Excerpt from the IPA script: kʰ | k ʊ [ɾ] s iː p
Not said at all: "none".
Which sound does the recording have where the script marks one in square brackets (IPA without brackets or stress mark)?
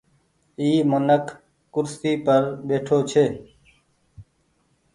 ɾ